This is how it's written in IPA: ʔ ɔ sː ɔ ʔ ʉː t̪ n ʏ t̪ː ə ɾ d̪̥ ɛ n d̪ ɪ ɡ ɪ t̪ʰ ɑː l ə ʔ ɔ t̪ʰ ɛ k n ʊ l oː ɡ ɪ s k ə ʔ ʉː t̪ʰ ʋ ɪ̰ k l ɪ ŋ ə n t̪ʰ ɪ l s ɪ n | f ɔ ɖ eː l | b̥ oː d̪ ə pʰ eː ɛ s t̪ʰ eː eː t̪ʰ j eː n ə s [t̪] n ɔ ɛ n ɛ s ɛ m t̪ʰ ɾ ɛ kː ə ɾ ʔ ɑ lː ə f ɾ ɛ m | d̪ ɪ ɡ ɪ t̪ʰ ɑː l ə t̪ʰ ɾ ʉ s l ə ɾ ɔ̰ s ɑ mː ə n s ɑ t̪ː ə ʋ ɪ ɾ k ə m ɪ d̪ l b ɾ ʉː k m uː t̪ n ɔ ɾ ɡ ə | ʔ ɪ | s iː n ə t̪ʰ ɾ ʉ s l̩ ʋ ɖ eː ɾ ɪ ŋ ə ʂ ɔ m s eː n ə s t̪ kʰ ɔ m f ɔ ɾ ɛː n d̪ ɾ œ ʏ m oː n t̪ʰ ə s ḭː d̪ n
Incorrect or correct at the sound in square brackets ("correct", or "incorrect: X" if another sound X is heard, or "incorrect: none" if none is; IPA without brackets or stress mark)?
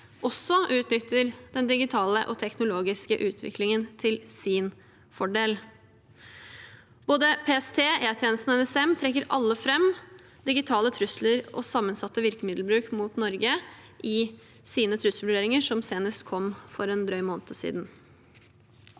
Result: correct